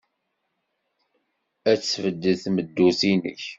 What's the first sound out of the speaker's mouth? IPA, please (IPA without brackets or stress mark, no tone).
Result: æ